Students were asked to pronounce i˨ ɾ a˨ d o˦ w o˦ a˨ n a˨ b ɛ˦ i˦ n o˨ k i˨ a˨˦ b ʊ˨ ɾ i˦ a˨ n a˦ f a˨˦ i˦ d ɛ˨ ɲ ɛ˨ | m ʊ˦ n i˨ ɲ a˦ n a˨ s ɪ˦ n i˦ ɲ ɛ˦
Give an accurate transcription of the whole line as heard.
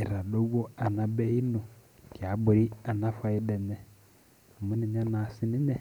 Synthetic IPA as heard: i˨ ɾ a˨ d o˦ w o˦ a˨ n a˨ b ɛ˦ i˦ n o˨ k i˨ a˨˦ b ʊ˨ ɾ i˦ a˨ n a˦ f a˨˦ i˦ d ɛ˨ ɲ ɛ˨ | m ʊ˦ n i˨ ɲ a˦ n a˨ s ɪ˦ n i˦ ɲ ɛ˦